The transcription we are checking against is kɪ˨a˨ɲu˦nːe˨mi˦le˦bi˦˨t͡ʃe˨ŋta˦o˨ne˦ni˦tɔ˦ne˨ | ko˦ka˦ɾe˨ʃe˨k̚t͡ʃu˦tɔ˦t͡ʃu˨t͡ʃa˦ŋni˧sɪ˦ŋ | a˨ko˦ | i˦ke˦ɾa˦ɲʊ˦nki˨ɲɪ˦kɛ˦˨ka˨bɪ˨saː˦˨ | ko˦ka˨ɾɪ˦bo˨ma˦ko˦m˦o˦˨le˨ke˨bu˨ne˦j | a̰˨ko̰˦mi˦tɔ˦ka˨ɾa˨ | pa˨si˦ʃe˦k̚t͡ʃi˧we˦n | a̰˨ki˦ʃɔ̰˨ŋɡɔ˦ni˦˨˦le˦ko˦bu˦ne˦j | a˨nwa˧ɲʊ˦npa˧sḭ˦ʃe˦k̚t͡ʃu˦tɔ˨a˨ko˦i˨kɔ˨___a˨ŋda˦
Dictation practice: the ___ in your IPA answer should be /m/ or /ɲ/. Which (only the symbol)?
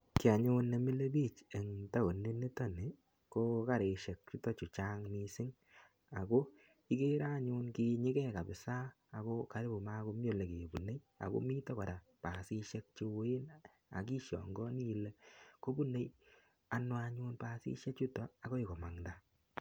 m